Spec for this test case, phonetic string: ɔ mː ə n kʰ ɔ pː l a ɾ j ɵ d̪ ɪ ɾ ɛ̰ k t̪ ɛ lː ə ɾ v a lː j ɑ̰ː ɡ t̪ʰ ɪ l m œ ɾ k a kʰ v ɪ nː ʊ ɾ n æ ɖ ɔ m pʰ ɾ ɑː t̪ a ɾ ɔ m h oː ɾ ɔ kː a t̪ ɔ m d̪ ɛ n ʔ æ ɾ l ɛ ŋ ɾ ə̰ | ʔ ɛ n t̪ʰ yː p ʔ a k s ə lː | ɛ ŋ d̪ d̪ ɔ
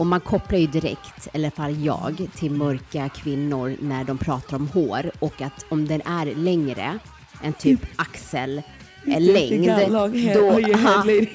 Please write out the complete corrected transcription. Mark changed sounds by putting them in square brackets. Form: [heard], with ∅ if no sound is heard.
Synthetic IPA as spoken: ɔ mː [a] n kʰ ɔ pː l a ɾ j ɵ d̪ ɪ ɾ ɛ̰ k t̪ ɛ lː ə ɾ [f] a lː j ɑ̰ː ɡ t̪ʰ ɪ l m œ ɾ k a kʰ v ɪ nː ʊ ɾ n æ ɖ ɔ m pʰ ɾ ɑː t̪ a ɾ ɔ m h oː ɾ ɔ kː a t̪ ɔ m d̪ ɛ n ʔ æ ɾ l ɛ ŋ ɾ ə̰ | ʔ ɛ n t̪ʰ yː p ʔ a k s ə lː | ɛ ŋ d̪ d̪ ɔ